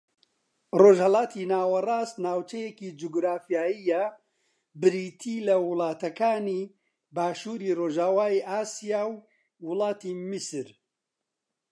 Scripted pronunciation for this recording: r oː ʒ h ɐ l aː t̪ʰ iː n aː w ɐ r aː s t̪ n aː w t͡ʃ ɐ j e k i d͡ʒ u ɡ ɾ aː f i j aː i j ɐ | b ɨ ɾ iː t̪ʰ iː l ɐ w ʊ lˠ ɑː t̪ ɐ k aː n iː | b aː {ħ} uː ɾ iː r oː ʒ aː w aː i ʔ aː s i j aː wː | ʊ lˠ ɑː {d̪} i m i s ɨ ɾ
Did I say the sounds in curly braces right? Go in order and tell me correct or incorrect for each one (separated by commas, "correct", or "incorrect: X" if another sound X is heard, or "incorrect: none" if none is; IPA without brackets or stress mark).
incorrect: ʃ, incorrect: t̪